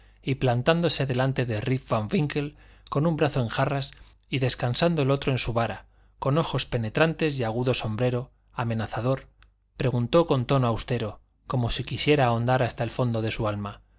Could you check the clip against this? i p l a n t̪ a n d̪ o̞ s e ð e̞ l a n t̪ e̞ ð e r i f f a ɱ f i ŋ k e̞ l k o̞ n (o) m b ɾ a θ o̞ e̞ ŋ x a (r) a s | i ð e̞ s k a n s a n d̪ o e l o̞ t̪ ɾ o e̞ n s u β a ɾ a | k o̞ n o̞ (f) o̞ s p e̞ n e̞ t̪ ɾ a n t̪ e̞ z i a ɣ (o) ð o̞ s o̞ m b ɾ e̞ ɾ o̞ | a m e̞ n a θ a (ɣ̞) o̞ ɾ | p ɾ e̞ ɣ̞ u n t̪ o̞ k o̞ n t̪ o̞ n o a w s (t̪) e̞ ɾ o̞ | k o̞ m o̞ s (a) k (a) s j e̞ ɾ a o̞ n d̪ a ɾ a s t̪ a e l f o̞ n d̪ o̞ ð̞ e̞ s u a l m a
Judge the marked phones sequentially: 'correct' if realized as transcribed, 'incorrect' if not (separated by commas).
incorrect, correct, incorrect, incorrect, incorrect, correct, incorrect, incorrect